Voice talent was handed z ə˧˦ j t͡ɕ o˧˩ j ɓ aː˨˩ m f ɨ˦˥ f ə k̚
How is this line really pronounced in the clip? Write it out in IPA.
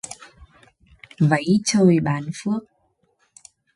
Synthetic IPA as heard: v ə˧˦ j t͡ɕ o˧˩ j ɓ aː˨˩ n f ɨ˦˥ ə k̚